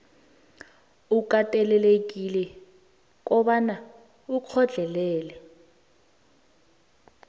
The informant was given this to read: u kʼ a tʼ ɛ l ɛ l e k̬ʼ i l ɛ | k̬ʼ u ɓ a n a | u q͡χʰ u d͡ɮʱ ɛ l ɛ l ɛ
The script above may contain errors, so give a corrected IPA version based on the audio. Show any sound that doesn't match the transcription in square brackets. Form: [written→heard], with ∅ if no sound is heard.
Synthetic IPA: u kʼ a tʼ ɛ l ɛ l e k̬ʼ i l ɛ | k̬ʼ [u→ɔ] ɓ a n a | u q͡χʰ [u→ɔ] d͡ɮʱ ɛ l [ɛ→ɛː] l ɛ